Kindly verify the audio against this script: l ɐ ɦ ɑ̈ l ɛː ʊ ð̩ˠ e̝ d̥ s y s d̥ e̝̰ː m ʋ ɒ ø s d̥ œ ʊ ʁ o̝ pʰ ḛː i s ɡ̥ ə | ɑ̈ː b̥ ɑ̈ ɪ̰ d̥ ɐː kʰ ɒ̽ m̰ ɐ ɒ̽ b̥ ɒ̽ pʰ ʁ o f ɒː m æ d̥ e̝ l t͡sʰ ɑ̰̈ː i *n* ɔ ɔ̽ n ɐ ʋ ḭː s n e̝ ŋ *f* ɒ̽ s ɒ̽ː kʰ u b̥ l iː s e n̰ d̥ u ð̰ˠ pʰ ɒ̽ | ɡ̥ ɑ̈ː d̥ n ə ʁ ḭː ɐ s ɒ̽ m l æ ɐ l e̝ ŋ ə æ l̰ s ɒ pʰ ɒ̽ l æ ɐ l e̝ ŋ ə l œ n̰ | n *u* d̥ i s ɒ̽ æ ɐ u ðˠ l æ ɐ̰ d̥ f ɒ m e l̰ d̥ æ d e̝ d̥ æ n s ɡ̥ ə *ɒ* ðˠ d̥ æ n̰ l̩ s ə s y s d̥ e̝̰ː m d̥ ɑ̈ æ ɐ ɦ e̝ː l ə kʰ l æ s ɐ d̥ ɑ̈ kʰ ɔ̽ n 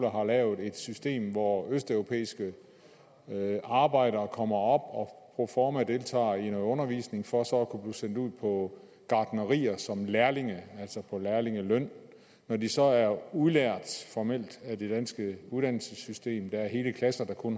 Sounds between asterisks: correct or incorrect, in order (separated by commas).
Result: correct, correct, incorrect, incorrect